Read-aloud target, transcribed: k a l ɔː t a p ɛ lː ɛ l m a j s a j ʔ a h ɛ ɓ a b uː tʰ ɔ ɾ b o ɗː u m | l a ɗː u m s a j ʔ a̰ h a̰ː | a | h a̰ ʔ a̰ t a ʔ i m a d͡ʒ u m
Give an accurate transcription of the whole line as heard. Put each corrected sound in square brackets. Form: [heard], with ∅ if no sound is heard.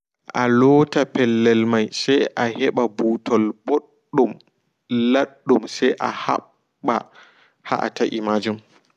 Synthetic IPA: [ʔ] a l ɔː t a p ɛ lː ɛ l m a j s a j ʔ a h ɛ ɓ a b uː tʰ ɔ [l] b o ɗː u m | l a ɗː u m s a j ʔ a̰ h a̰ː | a | h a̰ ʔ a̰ t a ʔ i m a d͡ʒ u m